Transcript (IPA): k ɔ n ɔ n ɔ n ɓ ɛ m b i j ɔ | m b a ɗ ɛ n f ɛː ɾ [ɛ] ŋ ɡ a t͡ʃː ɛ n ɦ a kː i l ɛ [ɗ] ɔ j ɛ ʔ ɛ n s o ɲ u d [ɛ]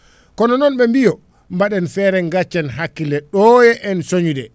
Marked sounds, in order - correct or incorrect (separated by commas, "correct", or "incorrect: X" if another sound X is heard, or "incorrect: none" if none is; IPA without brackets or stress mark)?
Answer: correct, correct, correct